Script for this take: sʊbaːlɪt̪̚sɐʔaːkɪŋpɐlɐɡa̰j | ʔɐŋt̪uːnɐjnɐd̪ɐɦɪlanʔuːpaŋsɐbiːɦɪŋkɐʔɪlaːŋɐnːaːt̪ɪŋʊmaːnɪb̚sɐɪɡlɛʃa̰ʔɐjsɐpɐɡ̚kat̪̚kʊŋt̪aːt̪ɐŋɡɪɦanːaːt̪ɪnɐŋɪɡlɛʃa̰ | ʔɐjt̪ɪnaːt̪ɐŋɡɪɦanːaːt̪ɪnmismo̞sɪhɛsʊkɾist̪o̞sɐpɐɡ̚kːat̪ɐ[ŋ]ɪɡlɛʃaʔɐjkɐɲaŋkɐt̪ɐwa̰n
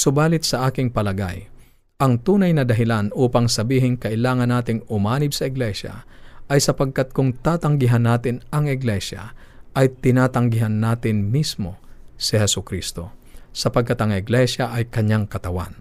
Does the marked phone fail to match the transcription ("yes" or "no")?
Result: no